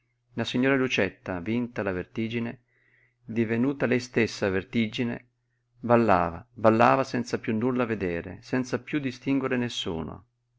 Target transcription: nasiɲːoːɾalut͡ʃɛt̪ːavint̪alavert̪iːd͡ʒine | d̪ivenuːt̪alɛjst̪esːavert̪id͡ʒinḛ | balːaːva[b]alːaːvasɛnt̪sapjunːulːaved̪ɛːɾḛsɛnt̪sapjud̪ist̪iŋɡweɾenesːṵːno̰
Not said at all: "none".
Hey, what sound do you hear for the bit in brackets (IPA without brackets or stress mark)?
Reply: b